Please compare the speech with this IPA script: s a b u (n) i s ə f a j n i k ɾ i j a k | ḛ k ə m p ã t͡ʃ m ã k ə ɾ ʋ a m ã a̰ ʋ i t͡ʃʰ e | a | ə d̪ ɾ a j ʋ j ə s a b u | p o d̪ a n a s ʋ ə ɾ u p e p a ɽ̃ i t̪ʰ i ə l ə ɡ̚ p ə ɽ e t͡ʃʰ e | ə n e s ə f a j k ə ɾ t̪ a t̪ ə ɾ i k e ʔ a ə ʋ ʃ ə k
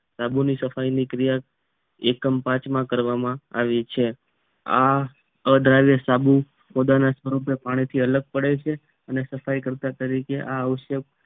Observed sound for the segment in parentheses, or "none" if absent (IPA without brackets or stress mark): n